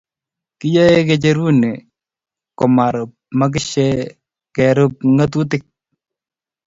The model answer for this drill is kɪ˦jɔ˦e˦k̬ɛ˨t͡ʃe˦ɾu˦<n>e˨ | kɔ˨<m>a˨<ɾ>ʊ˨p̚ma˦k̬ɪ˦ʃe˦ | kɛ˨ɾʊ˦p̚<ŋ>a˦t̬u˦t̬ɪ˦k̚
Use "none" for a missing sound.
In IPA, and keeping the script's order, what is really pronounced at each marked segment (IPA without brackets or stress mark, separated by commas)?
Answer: n, m, ɾ, ŋ